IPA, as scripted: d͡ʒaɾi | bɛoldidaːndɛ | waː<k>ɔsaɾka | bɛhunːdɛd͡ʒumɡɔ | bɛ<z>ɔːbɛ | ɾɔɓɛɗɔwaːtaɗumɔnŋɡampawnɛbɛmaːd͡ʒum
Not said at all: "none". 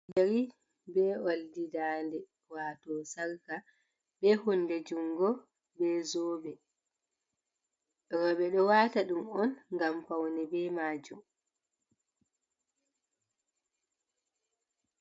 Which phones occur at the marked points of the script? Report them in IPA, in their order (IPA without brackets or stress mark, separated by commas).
t, z